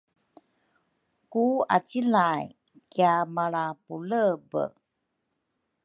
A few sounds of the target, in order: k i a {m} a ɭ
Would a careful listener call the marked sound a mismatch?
no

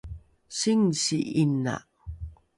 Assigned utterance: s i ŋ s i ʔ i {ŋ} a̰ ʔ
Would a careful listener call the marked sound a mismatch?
yes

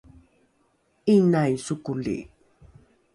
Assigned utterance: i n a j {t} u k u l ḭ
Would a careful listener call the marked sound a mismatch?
yes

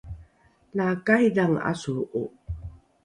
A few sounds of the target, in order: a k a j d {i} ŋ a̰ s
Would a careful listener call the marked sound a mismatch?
yes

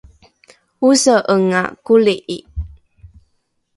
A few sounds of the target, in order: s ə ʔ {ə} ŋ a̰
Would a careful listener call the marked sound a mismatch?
no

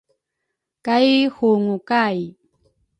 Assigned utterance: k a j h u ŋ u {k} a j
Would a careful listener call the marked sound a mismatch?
no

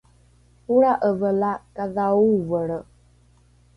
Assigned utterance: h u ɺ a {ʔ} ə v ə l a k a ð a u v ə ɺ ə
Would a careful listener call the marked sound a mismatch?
no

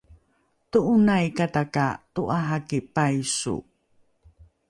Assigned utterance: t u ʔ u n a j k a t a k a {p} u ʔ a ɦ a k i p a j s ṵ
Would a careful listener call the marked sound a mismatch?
yes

